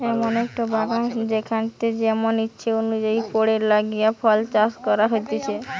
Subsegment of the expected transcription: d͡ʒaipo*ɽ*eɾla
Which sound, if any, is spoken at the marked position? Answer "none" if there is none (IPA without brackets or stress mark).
ɽ